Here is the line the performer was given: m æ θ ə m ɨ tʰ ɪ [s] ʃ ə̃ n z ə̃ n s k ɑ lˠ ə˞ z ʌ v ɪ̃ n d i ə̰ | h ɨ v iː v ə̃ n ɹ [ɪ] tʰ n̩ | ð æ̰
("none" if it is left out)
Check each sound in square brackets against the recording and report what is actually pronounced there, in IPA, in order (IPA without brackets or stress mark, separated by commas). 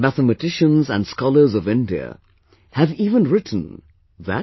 none, ɪ